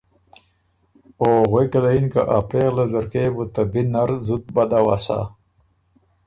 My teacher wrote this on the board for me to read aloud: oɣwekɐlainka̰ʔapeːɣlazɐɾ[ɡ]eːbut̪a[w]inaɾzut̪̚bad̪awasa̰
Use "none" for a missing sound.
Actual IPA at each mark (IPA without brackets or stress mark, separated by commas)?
k, b